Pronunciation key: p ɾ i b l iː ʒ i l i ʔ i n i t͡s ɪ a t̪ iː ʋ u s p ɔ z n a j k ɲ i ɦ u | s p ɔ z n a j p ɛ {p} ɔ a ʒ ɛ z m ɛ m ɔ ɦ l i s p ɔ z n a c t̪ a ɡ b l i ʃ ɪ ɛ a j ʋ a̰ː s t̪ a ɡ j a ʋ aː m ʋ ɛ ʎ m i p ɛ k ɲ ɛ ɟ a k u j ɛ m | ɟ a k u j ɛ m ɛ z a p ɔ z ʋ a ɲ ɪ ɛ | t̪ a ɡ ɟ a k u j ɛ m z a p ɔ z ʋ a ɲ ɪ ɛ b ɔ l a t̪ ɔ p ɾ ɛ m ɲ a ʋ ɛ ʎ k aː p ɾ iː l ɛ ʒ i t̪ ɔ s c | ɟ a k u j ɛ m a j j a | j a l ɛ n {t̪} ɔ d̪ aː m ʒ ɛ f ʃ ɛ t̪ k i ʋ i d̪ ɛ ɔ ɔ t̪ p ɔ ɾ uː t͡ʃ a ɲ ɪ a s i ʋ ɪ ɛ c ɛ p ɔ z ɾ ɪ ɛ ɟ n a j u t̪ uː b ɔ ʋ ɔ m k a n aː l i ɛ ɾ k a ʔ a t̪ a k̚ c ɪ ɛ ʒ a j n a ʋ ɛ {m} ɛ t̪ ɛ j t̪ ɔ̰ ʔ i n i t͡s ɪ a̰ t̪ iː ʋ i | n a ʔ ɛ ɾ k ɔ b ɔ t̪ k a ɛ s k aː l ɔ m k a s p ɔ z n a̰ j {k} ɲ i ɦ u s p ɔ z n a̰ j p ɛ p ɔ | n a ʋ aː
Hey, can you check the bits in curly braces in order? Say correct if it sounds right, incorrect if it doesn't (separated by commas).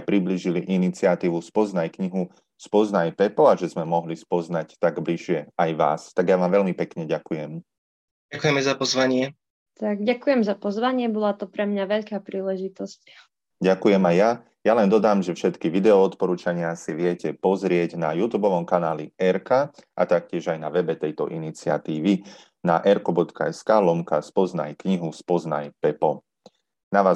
correct, incorrect, incorrect, correct